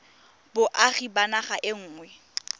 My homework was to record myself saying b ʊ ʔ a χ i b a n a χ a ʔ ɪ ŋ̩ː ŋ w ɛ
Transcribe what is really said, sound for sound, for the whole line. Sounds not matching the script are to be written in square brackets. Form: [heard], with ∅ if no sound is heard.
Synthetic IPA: b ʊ ʔ a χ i b a n a χ a ʔ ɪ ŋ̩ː ŋ w ɛ